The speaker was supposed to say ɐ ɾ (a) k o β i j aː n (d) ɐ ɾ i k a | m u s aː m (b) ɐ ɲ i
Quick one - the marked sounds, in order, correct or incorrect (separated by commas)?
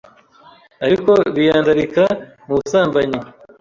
incorrect, correct, correct